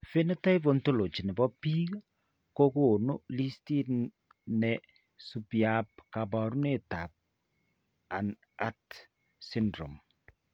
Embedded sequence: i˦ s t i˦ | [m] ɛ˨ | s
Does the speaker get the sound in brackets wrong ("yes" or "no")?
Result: yes